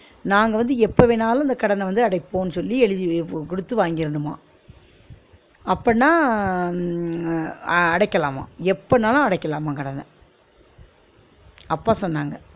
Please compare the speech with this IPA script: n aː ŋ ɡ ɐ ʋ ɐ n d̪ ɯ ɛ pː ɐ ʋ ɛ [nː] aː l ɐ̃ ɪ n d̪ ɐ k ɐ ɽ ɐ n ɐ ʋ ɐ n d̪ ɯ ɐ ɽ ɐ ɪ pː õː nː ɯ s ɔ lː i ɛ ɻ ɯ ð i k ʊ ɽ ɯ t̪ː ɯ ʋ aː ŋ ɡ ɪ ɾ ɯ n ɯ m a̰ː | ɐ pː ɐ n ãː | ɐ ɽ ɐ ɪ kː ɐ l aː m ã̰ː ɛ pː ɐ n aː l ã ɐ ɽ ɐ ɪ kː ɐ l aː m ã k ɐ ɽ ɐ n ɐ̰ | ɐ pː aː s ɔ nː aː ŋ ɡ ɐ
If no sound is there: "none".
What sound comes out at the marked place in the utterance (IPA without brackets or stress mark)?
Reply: n